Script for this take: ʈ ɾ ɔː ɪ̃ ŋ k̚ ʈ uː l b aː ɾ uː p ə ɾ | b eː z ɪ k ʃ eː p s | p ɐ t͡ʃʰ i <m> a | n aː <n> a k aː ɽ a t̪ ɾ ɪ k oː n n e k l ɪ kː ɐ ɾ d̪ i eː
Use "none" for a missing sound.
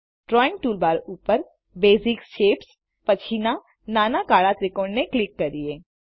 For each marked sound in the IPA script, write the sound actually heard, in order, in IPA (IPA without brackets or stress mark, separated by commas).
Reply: n, n